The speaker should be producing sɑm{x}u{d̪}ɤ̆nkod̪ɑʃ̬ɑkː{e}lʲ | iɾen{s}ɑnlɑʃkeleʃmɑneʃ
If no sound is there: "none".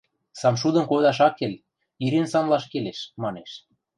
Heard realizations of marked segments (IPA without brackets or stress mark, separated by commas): ʃ, d̪, e, s